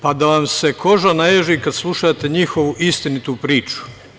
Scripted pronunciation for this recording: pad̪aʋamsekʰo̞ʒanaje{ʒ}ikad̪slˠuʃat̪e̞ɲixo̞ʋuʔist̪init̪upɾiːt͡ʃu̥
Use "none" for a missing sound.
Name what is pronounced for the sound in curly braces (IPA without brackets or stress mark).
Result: ʒ